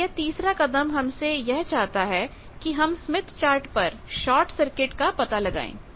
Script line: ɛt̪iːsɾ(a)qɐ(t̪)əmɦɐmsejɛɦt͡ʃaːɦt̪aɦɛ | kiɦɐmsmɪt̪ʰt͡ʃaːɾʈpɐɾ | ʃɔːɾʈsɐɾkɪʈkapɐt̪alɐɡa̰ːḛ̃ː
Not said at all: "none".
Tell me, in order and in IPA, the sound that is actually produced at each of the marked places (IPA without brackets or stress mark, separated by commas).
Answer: a, d̪